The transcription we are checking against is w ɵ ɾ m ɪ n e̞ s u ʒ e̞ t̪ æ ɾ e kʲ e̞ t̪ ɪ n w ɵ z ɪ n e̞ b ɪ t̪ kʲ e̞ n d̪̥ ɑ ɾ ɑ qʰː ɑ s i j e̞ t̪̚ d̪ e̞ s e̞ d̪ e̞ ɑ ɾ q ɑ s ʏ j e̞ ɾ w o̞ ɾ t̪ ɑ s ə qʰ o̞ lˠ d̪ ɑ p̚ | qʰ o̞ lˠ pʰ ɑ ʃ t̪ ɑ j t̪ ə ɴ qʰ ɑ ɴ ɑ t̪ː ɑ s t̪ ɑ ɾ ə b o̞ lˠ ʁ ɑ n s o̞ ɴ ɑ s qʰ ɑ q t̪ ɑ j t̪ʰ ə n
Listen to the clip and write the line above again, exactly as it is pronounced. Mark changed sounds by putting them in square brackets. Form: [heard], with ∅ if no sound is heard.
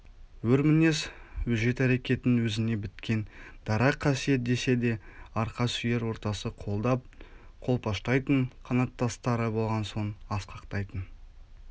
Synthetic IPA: w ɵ ɾ m ɪ n e̞ s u ʒ e̞ t̪ æ ɾ e kʲ e̞ t̪ ɪ n w ɵ z ɪ n e̞ b ɪ t̪ kʲ e̞ n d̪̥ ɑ ɾ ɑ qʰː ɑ s i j e̞ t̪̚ d̪ e̞ s e̞ d̪ e̞ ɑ ɾ q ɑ s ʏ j e̞ ɾ w o̞ ɾ t̪ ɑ s ə qʰ o̞ lˠ d̪ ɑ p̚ | qʰ o̞ lˠ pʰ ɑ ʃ t̪ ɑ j t̪ ə ɴ qʰ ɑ [n] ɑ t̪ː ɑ s t̪ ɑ ɾ ə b o̞ lˠ ʁ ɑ n s o̞ ɴ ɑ s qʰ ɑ q t̪ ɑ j [t̪] ə n